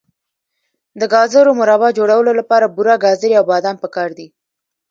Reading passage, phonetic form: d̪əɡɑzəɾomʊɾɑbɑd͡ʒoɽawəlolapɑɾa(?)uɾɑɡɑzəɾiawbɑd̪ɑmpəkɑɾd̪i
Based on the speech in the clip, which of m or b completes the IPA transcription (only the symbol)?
b